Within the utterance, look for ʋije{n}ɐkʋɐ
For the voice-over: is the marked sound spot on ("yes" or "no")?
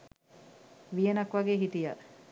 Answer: yes